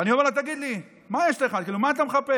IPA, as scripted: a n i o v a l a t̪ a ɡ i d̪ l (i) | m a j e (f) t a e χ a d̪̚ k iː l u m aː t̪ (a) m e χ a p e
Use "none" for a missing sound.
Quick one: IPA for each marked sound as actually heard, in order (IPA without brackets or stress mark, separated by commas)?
i, ʃ, a